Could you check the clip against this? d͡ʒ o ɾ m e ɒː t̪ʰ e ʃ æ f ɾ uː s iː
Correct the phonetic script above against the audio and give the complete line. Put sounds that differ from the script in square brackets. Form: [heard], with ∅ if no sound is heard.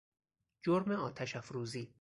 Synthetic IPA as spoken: d͡ʒ o ɾ m e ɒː t̪ʰ [æ] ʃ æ f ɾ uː [z] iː